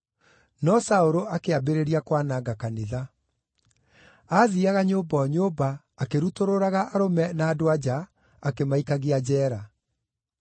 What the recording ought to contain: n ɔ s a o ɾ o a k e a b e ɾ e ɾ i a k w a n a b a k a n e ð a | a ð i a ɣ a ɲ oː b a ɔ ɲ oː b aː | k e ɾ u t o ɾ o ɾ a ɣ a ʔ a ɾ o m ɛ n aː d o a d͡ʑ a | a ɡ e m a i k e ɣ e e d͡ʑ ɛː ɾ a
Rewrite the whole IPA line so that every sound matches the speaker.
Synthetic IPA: n ɔ s a o ɾ o a k e a b e ɾ e ɾ i a k w a n a ɡ a k a n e ð a | a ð i a ɣ a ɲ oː b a ɔ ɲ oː b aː | k e ɾ u t o ɾ o ɾ a ɣ a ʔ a ɾ o m ɛ n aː d o a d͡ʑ a | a k e m a i k a ɣ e a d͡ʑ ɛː ɾ a